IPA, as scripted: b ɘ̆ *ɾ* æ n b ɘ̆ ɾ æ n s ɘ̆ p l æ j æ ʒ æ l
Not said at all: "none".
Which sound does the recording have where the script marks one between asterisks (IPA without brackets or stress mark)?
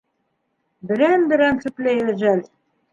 ɾ